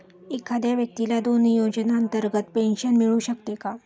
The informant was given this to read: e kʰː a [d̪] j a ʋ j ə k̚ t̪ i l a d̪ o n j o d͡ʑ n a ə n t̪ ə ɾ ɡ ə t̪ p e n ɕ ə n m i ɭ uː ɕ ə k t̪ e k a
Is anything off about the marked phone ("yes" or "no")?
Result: no